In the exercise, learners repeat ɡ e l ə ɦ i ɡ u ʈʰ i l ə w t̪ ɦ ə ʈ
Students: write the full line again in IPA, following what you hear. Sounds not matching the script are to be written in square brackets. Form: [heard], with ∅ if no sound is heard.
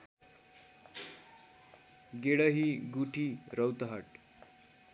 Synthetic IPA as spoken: ɡ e [ɽ] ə ɦ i ɡ u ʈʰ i [ɾ] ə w t̪ ɦ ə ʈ